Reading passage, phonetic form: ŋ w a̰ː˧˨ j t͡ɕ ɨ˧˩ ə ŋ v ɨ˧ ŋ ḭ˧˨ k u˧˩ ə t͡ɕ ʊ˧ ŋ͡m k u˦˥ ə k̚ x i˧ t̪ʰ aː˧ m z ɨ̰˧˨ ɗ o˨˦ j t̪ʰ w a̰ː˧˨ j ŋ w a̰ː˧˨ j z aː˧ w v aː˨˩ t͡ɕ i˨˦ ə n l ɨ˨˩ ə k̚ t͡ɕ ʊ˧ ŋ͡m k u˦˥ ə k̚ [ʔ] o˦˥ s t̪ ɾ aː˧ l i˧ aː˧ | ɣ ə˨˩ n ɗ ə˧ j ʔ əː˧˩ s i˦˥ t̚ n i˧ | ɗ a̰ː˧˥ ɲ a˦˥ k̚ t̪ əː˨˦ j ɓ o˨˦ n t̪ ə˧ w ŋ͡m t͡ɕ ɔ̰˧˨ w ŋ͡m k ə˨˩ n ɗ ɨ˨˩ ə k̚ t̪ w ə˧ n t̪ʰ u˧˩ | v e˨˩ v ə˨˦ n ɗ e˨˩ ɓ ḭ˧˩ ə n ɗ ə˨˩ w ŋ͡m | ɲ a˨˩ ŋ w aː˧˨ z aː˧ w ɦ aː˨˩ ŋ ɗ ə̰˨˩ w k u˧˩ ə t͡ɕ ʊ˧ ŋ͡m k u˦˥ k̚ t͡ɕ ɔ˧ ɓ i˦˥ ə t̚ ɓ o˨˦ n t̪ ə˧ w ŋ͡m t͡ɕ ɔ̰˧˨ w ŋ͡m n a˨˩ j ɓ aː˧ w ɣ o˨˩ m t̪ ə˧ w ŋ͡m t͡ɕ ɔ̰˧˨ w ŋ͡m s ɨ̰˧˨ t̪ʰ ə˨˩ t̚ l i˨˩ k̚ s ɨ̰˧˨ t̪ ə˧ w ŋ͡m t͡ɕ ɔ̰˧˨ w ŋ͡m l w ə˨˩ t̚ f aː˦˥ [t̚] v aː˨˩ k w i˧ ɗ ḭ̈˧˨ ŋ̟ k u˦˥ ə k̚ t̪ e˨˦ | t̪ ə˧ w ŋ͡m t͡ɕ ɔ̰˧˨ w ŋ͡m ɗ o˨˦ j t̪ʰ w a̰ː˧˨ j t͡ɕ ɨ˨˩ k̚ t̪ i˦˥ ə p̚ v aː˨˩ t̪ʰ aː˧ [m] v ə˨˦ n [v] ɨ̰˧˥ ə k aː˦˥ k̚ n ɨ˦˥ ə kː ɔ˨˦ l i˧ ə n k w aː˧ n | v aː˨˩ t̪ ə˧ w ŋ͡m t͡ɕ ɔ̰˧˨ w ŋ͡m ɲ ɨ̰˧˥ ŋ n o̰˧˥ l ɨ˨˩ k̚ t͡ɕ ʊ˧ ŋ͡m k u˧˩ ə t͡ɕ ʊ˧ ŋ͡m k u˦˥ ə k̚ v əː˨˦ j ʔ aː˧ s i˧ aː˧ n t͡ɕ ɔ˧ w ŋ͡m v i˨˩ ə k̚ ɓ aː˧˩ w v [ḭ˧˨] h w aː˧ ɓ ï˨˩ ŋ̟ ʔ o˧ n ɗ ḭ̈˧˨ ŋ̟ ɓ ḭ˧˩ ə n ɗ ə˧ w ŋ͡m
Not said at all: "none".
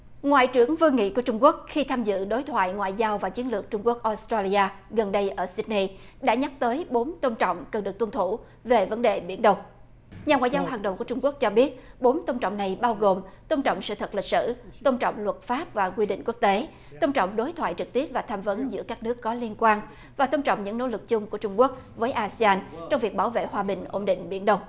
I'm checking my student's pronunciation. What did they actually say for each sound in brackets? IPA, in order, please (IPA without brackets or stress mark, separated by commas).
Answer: ʔ, p̚, m, z, ḛ˧˨